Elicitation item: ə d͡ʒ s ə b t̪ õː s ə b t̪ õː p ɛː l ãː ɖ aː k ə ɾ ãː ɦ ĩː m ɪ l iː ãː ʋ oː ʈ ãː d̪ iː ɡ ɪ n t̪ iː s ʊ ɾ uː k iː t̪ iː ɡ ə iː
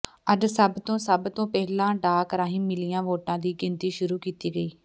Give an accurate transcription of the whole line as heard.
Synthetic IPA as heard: ə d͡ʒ s ə b t̪ õː s ə b t̪ õː p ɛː l ãː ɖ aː k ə ɾ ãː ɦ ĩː m ɪ l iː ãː ʋ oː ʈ ãː d̪ iː ɡ ɪ n t̪ iː ʃ ʊ ɾ uː k iː t̪ iː ɡ ə iː